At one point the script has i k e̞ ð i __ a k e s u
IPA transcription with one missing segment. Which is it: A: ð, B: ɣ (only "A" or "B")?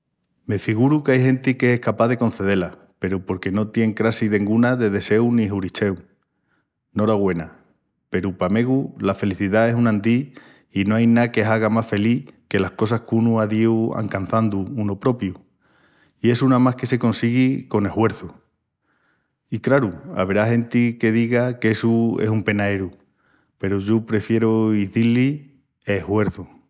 B